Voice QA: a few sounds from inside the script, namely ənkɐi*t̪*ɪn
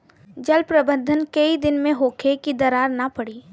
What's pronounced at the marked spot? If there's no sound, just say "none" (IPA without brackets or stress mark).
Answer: d̪